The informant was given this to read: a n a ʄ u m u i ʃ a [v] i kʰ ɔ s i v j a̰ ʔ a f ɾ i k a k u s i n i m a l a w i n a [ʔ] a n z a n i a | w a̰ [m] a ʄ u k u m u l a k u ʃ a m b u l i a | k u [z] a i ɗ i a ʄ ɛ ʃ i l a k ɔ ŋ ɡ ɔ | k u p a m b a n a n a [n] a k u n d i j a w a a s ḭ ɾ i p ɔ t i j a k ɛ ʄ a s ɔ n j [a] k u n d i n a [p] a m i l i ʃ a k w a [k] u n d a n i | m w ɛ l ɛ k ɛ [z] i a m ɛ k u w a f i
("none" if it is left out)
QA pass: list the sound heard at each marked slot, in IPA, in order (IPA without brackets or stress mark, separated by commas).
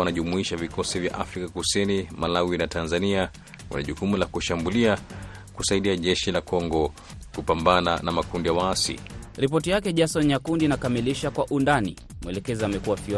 v, t, n, s, m, a, k, ʔ, z